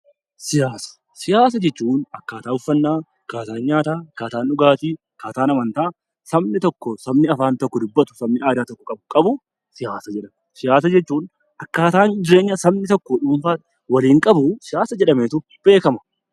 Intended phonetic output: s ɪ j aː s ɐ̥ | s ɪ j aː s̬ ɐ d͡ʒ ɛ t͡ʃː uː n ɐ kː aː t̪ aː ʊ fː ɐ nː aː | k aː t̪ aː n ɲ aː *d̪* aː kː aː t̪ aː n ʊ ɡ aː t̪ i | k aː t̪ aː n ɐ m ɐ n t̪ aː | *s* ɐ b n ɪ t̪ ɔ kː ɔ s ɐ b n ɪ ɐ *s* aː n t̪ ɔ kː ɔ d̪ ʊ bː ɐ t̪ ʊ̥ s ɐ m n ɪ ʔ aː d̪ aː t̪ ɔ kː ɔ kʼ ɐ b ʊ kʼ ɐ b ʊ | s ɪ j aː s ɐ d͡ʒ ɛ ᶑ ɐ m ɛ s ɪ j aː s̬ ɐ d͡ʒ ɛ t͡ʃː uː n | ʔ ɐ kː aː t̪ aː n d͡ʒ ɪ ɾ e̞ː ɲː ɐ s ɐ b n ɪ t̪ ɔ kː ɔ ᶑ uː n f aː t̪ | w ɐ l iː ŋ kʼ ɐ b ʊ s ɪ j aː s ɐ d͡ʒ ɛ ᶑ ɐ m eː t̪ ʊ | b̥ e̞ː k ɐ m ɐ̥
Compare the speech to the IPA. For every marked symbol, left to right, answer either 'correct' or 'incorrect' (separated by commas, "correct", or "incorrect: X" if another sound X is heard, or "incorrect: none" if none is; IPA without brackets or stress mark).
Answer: incorrect: t̪, correct, incorrect: f